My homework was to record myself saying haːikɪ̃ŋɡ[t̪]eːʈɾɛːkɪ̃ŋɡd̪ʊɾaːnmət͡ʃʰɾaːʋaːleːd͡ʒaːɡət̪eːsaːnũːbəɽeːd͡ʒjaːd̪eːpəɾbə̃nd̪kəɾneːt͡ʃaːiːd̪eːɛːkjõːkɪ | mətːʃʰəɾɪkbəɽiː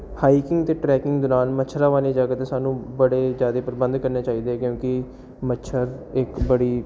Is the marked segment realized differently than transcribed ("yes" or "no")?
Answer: no